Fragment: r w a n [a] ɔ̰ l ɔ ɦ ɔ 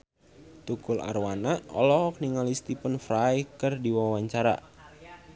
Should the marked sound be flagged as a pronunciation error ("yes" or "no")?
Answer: no